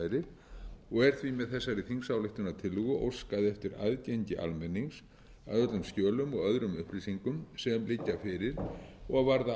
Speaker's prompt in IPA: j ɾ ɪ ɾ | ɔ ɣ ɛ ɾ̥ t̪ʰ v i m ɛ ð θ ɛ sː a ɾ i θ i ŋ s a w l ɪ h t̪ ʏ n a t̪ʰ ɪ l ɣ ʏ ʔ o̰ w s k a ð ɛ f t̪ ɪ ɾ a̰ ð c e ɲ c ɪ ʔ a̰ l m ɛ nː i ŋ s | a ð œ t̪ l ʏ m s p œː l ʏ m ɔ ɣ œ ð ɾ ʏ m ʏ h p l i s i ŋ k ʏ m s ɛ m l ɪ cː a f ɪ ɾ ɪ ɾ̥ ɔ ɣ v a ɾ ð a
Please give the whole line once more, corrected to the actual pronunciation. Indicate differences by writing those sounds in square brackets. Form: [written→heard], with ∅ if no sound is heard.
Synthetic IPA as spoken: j ɾ ɪ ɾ | ɔ ɣ ɛ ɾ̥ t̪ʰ v i m ɛ ð θ ɛ sː a ɾ i θ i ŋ s a w l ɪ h t̪ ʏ n a t̪ʰ ɪ l ɣ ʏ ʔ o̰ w s k a ð ɛ f t̪ ɪ ɾ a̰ ð c e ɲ c ɪ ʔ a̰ l m ɛ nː i ŋ s | a ð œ t̪ l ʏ m s [p→c] œː l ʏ m ɔ ɣ œ ð ɾ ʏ m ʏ h p l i s i ŋ k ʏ m s ɛ m l ɪ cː a f ɪ ɾ ɪ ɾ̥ ɔ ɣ v a ɾ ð a